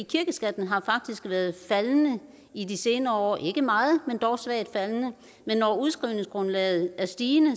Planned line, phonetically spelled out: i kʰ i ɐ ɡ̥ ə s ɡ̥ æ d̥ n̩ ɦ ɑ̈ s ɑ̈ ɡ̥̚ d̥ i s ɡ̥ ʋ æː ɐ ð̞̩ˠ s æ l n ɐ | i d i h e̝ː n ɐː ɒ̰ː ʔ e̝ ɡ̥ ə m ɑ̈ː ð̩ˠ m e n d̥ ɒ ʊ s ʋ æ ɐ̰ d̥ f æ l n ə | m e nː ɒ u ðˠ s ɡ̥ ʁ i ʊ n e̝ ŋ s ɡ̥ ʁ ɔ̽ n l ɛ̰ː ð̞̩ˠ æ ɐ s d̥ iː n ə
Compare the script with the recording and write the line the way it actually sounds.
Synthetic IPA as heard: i kʰ i ɐ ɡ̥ ə s ɡ̥ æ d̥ n̩ ɦ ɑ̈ f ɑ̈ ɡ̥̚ d̥ i s ɡ̥ ʋ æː ɐ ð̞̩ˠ f æ l n ə | i d i s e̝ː n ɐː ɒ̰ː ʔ e̝ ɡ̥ ə m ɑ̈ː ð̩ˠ m e n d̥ ɒ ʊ s ʋ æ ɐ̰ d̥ f æ l n ə | m e nː ɒ u ðˠ s ɡ̥ ʁ i ʊ n e̝ ŋ s ɡ̥ ʁ ɔ̽ n l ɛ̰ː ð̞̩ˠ æ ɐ s d̥ iː n ə